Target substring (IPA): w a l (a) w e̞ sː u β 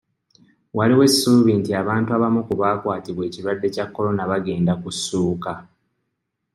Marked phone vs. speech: incorrect: i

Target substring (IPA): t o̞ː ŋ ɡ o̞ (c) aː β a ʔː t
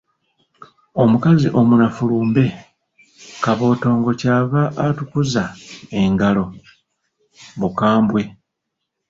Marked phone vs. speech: correct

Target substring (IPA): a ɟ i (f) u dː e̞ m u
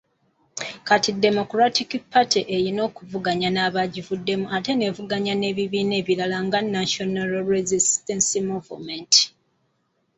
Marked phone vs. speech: incorrect: v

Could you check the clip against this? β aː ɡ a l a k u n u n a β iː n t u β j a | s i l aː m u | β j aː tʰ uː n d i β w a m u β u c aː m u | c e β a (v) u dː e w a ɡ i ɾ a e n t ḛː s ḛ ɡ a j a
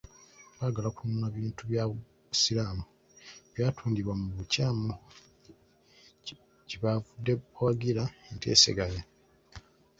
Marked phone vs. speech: correct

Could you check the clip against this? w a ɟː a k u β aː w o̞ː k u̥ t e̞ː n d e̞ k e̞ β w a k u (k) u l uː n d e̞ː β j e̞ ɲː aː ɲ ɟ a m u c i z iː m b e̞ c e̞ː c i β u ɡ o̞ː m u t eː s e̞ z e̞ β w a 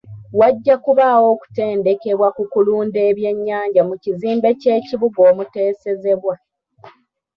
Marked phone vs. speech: correct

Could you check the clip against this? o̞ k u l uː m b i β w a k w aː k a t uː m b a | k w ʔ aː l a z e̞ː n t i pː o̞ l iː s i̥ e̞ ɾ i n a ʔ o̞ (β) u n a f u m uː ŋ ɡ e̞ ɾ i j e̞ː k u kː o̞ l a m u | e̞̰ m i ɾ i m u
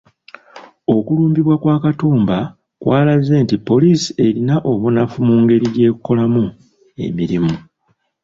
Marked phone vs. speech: correct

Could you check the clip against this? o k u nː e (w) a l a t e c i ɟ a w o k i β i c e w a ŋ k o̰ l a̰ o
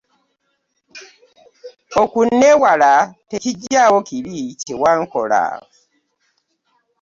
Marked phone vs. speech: correct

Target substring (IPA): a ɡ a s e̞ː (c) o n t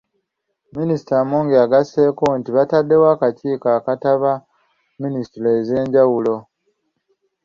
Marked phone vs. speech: incorrect: k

